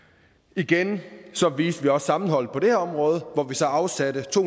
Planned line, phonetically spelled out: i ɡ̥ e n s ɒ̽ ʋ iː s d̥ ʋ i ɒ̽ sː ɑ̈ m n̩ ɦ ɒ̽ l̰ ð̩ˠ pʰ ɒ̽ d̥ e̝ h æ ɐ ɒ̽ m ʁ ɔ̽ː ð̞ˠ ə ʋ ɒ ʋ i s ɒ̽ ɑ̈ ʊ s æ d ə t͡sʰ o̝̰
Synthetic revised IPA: i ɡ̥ e n s ɒ̽ ʋ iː s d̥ ʋ i ɒ̽ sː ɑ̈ m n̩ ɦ ɒ̽ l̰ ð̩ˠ pʰ ɒ̽ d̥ e̝ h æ ɐ ɒ̽ m ʁ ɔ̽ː ð̞ˠ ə ʋ ɒ ʋ i s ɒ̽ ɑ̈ ʊ s æ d ə t͡sʰ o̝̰